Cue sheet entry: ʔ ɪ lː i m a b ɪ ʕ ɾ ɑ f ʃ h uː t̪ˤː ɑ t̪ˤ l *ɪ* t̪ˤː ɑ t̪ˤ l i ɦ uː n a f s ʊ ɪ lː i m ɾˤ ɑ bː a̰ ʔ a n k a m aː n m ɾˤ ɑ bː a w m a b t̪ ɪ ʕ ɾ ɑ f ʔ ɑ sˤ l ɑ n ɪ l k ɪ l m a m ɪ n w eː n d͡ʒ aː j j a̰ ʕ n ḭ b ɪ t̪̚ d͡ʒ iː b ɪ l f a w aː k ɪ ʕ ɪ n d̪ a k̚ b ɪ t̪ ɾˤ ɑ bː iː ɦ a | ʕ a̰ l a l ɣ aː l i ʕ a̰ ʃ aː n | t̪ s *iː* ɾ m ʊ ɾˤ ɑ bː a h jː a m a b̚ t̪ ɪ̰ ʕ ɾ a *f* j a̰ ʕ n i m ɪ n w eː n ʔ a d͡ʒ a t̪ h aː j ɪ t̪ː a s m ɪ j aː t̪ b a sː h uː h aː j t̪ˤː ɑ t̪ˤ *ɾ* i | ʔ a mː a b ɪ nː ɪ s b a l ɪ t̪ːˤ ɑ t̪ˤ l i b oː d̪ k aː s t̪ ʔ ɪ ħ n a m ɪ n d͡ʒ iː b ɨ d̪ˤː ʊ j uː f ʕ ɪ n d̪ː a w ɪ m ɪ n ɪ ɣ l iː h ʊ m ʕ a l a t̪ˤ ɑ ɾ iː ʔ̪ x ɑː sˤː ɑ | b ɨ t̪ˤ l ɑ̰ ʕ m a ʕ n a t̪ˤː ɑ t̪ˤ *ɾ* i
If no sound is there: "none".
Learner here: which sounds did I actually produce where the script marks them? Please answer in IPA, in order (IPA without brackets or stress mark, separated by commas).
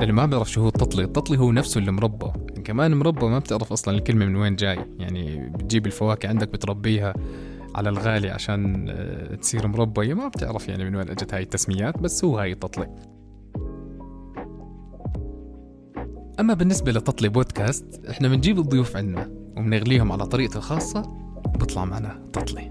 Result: i, iː, f, l, l